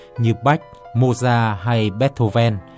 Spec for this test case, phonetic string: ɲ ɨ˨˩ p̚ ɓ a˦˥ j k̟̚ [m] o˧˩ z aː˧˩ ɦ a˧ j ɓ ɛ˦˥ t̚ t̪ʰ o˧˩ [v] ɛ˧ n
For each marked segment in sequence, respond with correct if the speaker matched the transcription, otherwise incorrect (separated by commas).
correct, correct